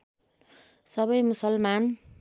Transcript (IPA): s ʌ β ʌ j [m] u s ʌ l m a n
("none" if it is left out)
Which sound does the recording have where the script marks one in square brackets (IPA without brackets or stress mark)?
m